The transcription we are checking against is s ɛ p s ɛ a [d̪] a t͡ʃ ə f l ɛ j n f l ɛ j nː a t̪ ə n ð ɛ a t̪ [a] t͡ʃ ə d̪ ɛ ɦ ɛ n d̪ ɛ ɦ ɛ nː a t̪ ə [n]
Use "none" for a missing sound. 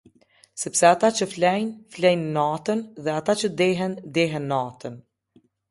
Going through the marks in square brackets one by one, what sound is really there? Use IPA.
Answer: t̪, a, n

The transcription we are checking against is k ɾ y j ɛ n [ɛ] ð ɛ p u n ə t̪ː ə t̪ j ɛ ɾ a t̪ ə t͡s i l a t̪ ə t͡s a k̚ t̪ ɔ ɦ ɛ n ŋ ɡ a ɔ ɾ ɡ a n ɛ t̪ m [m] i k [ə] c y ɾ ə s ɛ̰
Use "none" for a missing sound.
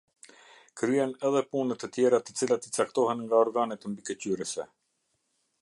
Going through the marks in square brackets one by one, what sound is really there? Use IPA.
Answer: ɛ, b, ə

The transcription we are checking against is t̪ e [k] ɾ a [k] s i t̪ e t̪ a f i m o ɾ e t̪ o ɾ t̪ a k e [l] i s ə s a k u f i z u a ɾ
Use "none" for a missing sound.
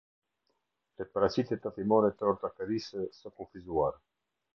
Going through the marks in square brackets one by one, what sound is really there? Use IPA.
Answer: p, none, ɾ

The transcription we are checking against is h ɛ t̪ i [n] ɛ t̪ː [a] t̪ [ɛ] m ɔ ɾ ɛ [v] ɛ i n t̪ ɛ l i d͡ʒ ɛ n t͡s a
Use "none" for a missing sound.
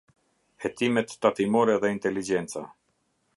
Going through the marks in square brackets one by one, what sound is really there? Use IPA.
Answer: m, a, i, ð

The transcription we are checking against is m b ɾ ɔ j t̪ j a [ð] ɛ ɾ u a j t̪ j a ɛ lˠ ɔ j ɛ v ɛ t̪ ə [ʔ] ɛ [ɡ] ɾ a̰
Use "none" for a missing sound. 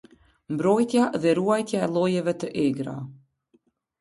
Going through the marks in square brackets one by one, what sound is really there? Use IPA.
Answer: ð, ʔ, ɡ

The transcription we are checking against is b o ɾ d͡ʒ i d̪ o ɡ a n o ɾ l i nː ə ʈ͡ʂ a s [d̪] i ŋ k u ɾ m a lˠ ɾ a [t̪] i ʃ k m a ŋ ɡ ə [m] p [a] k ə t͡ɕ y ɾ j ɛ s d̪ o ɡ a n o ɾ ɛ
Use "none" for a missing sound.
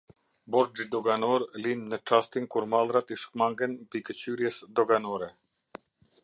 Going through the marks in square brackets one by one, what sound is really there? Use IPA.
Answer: t̪, t̪, n, i

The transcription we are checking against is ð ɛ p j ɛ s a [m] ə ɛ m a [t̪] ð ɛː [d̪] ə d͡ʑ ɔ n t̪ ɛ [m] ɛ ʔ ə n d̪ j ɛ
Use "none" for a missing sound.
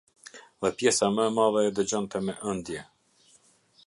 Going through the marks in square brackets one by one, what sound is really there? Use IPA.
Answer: m, none, d̪, m

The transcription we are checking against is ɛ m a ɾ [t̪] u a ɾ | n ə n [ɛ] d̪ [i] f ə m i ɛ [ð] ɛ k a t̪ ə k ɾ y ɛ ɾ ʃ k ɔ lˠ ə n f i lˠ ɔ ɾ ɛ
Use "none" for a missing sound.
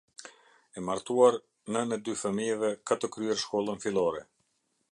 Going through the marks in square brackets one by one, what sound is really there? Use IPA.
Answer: t̪, ɛ, y, v

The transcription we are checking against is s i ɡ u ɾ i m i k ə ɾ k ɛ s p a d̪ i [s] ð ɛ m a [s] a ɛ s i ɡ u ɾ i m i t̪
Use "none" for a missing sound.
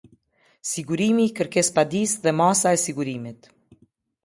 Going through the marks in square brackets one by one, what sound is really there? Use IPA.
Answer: s, s

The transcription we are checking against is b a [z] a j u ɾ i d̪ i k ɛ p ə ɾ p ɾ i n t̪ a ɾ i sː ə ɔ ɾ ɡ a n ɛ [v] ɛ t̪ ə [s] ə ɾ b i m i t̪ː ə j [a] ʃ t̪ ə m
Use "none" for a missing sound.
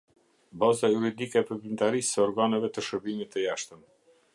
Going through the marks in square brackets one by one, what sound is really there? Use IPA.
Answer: z, v, ʃ, a

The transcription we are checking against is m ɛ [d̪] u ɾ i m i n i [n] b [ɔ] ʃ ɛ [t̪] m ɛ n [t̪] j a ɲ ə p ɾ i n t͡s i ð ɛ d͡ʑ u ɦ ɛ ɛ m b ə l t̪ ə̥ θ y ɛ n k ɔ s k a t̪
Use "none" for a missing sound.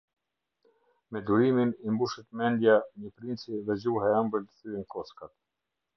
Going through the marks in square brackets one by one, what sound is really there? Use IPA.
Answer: d̪, m, u, t̪, d̪

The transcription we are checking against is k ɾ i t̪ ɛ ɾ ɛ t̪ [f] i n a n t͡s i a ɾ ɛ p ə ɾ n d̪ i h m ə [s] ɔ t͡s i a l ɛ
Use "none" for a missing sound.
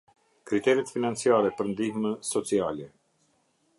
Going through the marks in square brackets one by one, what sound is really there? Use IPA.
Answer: f, s

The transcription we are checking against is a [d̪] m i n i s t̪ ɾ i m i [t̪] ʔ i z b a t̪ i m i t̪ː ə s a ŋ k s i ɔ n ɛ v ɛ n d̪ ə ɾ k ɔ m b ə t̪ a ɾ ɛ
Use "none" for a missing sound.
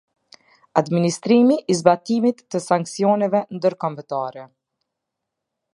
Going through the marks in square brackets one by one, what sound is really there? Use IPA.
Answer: d̪, none

